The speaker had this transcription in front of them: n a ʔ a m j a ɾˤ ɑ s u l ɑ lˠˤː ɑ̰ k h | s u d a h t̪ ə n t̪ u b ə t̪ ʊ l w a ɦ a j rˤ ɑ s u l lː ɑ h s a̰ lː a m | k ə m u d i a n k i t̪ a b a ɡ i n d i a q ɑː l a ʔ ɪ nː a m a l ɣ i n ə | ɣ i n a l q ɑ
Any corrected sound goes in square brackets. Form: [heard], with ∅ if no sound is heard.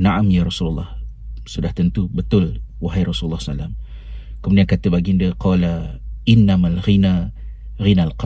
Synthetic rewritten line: n a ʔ a m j a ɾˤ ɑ s u l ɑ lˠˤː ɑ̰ [∅] h | s u d a h t̪ ə n t̪ u b ə t̪ ʊ l w a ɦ a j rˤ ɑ s u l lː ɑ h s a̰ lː a m | k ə m u d i a n k [a] t̪ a b a ɡ i n d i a q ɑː l a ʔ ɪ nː a m a l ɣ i n [a] | ɣ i n a l q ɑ